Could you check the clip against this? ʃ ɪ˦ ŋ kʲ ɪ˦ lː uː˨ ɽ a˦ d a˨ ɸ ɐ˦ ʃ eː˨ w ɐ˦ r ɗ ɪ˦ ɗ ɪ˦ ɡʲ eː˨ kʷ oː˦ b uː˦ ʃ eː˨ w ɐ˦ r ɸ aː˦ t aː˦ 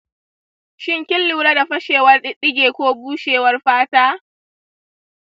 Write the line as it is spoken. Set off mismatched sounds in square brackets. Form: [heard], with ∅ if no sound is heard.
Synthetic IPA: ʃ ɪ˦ ŋ kʲ ɪ˦ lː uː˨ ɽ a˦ d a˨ ɸ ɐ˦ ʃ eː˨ w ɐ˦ r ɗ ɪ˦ ɗ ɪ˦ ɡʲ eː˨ kʷ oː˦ b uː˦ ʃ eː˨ w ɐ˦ r ɸ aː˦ t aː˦